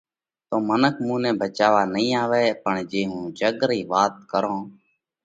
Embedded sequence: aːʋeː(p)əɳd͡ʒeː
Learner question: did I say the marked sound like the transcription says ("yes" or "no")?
yes